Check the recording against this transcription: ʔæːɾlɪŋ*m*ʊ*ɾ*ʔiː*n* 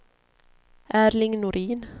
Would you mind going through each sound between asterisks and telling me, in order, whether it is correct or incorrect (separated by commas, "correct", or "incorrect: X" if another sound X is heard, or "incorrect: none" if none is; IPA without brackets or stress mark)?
incorrect: n, correct, correct